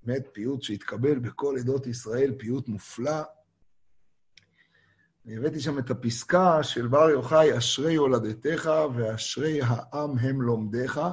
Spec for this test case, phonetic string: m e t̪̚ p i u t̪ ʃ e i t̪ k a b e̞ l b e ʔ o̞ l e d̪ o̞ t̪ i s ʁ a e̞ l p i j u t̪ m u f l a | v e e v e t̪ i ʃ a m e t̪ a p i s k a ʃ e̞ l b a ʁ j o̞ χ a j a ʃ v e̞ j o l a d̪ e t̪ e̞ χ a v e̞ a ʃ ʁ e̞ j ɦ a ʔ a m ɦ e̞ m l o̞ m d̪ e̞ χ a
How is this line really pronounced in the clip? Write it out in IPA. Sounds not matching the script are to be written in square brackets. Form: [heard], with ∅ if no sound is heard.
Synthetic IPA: m e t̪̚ p i u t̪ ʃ e i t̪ k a b e̞ l b e [k] o̞ l e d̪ o̞ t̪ i s ʁ a e̞ l p i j u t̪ m u f l a | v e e v e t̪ i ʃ a m e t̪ a p i s k a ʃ e̞ l b a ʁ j o̞ χ a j a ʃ [ʁ] e̞ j o l a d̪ e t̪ e̞ χ a v e̞ a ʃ ʁ e̞ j ɦ a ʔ a m ɦ e̞ m l o̞ m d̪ e̞ χ a